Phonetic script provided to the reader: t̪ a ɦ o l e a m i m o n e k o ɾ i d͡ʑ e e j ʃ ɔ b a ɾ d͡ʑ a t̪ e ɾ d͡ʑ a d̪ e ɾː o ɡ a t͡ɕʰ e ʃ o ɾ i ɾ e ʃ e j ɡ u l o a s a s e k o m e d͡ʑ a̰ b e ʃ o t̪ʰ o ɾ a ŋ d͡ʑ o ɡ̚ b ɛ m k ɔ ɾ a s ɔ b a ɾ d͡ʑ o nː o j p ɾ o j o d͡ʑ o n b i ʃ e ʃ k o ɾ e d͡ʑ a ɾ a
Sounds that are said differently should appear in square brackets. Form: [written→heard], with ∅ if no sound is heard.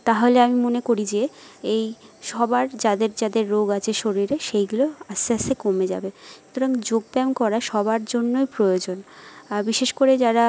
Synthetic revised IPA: t̪ a ɦ o l e a m i m o n e k o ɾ i d͡ʑ e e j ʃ ɔ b a ɾ d͡ʑ a [t̪→d̪] e ɾ d͡ʑ a d̪ e ɾː o ɡ a t͡ɕʰ e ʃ o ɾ i ɾ e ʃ e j ɡ u l o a s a s e k o m e d͡ʑ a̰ b e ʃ [o→u] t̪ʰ o ɾ a ŋ d͡ʑ o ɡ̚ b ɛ m k ɔ ɾ a [s→ʃ] ɔ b a ɾ d͡ʑ o nː o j p ɾ o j o d͡ʑ o n b i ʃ e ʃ k o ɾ e d͡ʑ a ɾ a

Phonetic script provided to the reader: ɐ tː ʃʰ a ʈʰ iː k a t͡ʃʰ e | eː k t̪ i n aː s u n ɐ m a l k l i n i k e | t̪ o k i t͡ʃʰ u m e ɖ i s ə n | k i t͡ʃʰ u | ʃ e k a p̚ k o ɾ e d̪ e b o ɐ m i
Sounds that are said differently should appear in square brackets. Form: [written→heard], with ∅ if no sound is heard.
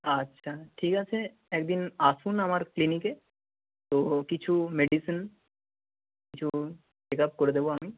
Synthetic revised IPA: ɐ tː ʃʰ a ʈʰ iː k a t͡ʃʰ e | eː k [t̪→d̪] i n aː s u n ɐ m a [l→ɾ] k l i n i k e | t̪ o k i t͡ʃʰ u m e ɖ i s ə n | k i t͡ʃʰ u | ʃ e k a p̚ k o ɾ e d̪ e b o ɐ m i

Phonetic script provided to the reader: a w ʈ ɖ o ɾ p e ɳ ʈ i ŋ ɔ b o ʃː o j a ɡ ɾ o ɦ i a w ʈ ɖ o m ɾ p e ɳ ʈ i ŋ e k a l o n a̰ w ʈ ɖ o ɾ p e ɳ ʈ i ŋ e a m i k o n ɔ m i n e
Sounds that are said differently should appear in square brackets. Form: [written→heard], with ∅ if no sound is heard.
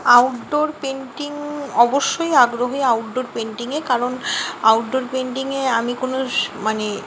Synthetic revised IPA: a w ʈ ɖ o ɾ p e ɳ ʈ i ŋ ɔ b o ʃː o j a ɡ ɾ o ɦ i a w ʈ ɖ o [m→∅] ɾ p e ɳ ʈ i ŋ e k a [l→ɾ] o n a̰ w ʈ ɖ o ɾ p e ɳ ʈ i ŋ e a m i k o n [ɔ→o] m [i→a] n e

